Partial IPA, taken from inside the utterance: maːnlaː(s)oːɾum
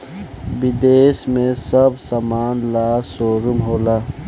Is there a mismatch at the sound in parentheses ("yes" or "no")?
no